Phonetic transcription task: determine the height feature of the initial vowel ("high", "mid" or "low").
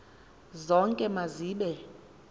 mid